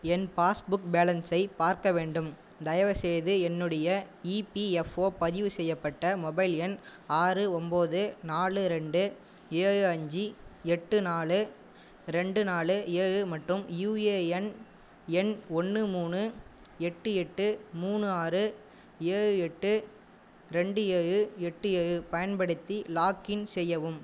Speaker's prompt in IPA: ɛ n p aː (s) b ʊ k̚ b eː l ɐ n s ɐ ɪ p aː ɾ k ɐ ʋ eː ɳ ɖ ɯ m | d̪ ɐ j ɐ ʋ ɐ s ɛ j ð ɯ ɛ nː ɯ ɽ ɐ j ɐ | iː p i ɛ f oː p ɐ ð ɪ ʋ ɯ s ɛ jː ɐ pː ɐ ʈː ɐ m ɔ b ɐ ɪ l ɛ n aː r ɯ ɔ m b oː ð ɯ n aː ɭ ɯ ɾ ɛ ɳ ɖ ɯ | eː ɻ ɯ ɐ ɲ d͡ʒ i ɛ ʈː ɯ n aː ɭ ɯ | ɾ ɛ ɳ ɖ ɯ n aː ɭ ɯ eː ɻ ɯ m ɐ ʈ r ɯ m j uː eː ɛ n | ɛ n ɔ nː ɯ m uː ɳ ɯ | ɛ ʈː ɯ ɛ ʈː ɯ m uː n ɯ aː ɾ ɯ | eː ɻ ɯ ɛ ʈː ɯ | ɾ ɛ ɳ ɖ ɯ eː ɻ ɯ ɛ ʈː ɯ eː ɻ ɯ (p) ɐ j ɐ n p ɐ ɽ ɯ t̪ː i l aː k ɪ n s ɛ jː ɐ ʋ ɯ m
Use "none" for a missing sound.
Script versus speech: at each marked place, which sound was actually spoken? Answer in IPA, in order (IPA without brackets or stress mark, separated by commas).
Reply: s, p